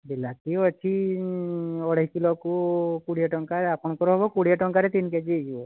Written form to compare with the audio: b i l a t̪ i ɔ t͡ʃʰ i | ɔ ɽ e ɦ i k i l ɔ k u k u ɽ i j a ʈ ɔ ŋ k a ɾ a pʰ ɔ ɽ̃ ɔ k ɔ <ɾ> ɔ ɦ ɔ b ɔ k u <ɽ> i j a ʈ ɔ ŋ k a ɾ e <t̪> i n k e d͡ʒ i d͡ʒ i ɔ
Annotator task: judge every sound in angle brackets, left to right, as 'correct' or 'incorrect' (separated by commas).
correct, correct, correct